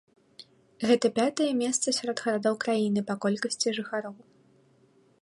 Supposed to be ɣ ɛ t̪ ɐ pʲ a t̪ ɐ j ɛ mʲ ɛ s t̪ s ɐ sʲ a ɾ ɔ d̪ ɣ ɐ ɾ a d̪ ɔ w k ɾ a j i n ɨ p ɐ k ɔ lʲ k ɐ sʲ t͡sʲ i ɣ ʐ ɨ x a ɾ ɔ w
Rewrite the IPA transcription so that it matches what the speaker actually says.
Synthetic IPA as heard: ɣ ɛ t̪ ɐ pʲ a t̪ ɐ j ɛ mʲ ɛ s t̪ s ɐ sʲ a ɾ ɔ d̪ ɣ ɐ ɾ a d̪ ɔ w k ɾ a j i n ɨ p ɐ k ɔ lʲ k ɐ sʲ t͡sʲ i ʐ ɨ x a ɾ ɔ w